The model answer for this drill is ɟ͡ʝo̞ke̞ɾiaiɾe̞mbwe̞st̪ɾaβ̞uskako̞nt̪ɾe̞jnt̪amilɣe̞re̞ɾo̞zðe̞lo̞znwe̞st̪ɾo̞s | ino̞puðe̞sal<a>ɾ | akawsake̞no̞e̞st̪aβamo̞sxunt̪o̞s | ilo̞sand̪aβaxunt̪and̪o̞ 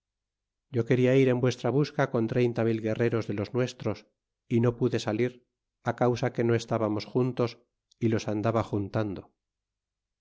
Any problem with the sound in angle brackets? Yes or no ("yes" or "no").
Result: yes